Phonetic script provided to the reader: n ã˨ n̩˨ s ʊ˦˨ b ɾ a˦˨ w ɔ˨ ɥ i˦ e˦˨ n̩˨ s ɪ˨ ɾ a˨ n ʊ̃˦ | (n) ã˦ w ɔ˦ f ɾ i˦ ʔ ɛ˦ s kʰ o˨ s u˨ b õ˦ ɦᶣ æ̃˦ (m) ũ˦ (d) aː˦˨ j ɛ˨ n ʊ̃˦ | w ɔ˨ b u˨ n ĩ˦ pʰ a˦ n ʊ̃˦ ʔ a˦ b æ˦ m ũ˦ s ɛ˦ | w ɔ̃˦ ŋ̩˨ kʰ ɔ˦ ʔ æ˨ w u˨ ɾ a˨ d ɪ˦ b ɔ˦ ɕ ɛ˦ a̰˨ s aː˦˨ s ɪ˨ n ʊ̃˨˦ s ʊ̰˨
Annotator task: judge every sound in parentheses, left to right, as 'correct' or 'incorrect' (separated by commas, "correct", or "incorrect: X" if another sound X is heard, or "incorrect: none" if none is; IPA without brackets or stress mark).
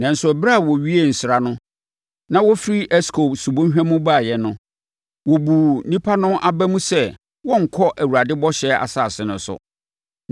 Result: correct, correct, incorrect: b